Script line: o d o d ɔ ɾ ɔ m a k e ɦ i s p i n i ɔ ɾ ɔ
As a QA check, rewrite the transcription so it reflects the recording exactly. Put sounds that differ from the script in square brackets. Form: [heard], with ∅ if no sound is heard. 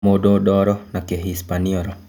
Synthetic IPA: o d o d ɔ ɾ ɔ [n] a k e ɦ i s p [a] n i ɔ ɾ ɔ